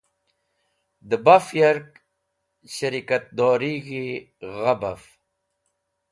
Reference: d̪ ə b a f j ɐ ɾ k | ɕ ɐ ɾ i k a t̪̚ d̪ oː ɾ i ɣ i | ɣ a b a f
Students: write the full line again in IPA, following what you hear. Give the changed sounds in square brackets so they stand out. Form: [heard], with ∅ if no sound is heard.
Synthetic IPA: d̪ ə b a f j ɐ ɾ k | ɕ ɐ ɾ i k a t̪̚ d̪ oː ɾ i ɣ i | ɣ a b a f